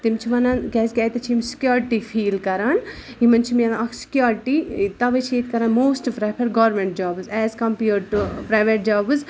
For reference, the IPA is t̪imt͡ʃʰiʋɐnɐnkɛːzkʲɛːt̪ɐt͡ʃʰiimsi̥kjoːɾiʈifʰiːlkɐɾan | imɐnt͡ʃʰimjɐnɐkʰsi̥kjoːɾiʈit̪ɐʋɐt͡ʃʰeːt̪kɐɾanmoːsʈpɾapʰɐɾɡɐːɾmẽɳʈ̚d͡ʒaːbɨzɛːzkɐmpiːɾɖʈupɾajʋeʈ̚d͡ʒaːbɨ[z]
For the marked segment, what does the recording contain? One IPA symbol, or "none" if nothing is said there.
z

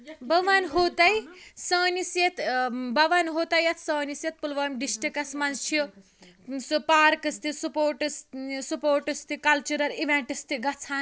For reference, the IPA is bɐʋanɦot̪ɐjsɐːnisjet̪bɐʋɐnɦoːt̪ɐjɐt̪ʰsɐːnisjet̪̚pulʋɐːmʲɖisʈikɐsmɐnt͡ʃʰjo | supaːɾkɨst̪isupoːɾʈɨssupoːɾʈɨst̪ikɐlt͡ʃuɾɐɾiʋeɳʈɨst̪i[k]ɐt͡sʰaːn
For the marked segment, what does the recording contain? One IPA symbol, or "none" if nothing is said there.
ɡ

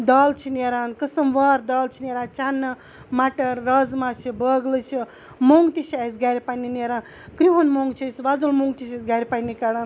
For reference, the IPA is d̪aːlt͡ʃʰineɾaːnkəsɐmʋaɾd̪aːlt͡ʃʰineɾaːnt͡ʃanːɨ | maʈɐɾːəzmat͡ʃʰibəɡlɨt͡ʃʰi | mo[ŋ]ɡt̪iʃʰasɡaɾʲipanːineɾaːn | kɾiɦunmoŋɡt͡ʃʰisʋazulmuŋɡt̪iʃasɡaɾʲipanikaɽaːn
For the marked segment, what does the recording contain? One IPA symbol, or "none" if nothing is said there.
ŋ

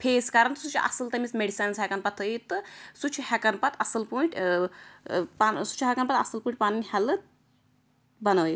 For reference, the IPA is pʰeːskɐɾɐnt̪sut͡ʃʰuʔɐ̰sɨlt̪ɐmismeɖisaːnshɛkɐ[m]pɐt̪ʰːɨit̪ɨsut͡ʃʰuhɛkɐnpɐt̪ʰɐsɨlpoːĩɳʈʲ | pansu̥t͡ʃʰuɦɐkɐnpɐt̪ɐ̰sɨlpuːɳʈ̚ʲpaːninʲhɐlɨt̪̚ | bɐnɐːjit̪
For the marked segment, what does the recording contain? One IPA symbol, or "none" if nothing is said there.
n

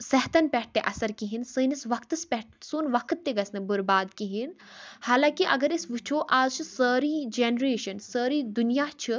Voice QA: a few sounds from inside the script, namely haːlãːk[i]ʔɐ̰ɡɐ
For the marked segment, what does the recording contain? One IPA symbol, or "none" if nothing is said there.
i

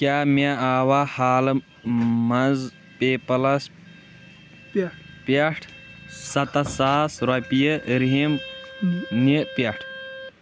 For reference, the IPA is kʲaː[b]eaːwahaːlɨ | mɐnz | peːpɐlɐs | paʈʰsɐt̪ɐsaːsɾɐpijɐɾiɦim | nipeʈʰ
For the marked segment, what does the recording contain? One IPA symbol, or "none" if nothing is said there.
m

